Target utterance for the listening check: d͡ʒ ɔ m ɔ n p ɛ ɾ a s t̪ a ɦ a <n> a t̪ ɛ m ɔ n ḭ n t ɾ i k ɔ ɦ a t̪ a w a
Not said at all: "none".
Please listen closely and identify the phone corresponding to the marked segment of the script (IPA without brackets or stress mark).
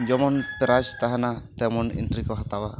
n